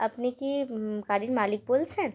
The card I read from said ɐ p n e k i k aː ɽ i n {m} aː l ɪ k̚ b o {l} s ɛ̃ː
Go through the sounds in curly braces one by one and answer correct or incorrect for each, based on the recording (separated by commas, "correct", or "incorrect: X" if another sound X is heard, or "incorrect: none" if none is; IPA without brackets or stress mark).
correct, correct